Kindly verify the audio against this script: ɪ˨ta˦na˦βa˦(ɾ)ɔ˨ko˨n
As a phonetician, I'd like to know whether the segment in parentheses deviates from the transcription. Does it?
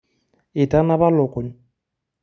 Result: yes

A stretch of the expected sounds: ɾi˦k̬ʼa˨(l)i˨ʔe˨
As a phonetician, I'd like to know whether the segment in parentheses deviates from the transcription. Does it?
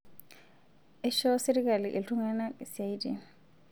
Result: no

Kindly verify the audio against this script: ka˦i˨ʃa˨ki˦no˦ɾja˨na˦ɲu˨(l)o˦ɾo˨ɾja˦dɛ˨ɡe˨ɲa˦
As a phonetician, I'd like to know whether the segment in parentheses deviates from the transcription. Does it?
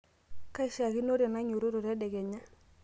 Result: yes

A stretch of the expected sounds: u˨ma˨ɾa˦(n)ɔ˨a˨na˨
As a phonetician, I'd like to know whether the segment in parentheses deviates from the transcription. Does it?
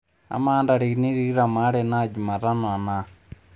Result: no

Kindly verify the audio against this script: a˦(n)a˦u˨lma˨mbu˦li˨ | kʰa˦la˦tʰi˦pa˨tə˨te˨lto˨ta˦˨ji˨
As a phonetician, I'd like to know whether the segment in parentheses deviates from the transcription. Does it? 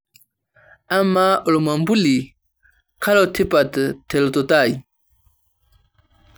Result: yes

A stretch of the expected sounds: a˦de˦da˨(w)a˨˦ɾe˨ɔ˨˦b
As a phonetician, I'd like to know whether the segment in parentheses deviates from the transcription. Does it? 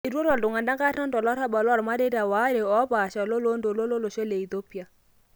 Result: no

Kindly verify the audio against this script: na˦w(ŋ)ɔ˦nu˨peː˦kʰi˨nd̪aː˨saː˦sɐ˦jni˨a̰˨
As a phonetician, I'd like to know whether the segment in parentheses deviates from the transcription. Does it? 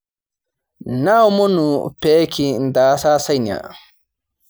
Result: yes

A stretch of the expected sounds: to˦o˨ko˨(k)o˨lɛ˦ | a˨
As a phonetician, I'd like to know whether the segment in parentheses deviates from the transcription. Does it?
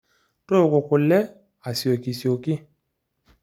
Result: no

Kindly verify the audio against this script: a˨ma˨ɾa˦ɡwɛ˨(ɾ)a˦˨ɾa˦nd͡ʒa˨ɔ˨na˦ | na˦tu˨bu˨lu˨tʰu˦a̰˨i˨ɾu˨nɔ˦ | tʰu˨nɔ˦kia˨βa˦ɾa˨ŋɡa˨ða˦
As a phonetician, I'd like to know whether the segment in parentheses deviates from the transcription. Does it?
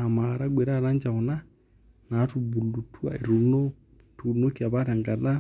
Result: no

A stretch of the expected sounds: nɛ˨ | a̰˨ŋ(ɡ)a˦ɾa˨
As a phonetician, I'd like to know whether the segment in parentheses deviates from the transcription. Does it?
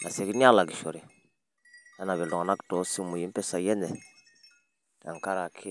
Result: yes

